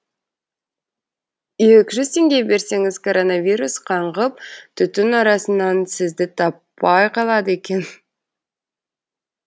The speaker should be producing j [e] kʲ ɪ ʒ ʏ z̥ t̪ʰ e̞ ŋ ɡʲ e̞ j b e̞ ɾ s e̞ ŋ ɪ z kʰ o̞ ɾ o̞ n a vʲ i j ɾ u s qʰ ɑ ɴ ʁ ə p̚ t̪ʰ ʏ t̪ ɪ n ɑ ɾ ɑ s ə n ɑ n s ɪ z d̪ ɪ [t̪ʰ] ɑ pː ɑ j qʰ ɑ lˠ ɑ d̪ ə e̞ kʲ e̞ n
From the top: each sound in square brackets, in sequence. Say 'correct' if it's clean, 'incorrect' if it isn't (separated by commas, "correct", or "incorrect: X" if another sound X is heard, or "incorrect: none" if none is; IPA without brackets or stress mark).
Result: correct, correct